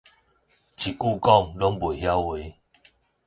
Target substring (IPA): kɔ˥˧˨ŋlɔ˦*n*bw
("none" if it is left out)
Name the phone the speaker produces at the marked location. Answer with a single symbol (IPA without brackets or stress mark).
ŋ